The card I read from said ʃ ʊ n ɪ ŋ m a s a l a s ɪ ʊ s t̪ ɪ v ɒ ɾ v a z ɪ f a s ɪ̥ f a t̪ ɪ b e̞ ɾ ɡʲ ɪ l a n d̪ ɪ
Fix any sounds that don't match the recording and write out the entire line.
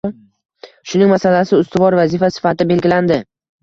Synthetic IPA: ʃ ʊ n ɪ ŋ m a s a l a s ɪ ʊ s t̪ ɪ v ɒ ɾ v a z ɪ f a s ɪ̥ f a t̪ ɪ b e̞ l ɡʲ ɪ l a n d̪ ɪ